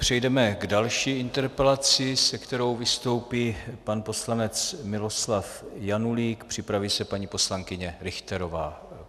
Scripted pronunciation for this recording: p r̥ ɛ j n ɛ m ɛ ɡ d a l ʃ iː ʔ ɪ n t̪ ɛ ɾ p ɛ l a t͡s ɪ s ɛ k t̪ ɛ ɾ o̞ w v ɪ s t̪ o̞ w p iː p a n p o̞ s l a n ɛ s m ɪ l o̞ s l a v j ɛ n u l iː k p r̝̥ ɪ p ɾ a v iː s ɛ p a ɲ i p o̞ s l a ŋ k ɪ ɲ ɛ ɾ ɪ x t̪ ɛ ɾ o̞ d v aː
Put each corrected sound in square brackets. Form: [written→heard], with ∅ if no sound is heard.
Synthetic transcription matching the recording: p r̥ ɛ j [n→d] ɛ m ɛ ɡ d a l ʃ iː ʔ ɪ n t̪ ɛ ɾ p ɛ l a t͡s ɪ s ɛ k t̪ ɛ ɾ o̞ w v ɪ s t̪ o̞ w p iː p a n p o̞ s l a n ɛ [s→t͡s] m ɪ l o̞ s l a [v→f] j [ɛ→a] n u l iː k p r̝̥ ɪ p ɾ a v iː s ɛ p a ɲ i p o̞ s l a ŋ k ɪ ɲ ɛ ɾ ɪ x t̪ ɛ ɾ o̞ [d→∅] v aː